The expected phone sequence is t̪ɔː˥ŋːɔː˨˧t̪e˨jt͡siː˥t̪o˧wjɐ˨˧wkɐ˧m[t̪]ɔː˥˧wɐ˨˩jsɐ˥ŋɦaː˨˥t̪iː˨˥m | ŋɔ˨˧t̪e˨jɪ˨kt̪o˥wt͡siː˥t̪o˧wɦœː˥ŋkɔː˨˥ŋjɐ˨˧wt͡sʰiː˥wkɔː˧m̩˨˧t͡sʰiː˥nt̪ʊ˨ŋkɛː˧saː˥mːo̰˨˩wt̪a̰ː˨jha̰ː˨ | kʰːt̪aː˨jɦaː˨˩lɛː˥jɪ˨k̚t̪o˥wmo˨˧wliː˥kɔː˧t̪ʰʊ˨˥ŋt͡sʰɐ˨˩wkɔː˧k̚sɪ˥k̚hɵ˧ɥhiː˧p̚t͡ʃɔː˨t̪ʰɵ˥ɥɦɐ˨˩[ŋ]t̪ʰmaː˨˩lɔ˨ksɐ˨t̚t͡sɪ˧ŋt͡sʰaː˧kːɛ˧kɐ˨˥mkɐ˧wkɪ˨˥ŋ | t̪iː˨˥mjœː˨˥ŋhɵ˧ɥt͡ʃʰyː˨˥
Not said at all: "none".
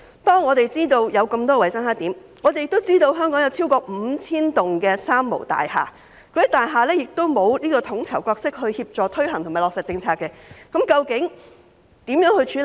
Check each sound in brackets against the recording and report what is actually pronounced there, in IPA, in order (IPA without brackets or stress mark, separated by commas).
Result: t̪, ŋ